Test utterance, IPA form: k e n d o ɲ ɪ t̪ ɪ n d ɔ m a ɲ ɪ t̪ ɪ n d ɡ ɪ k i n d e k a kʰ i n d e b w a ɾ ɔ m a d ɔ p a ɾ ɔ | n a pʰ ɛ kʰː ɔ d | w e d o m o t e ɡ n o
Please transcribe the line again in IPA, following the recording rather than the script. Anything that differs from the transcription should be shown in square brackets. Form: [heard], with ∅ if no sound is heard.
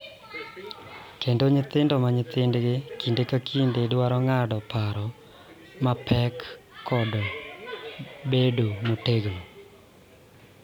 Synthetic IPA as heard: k e n d o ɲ ɪ t̪ ɪ n d ɔ m a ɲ ɪ t̪ ɪ n d ɡ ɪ k i n d e k a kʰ i n d e [d] w a ɾ ɔ [ŋ] a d ɔ p a ɾ ɔ | [m] a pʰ ɛ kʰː ɔ d | [b] e d o m o t e ɡ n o